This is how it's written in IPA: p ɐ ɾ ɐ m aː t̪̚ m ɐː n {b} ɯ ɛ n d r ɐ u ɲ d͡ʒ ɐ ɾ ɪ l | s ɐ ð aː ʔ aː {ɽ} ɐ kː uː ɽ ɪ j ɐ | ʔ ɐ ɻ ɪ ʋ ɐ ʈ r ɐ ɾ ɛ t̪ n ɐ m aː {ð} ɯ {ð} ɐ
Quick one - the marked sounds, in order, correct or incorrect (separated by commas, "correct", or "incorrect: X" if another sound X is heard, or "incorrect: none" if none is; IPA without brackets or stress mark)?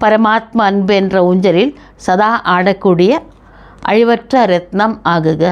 correct, correct, incorrect: ɣ, incorrect: ɣ